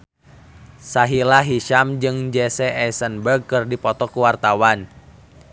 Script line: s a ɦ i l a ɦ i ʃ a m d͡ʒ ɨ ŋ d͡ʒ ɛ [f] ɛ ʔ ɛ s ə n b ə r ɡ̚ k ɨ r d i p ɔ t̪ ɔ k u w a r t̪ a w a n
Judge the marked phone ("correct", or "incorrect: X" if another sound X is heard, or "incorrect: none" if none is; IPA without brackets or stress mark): incorrect: s